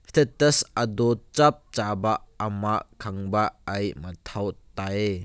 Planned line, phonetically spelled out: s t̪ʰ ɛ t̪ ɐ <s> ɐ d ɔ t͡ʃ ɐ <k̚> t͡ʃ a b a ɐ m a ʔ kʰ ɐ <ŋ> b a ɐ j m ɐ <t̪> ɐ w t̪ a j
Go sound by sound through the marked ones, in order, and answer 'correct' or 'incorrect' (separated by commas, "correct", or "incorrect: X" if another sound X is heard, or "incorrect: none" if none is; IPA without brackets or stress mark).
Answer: correct, incorrect: p̚, correct, incorrect: t̪ʰ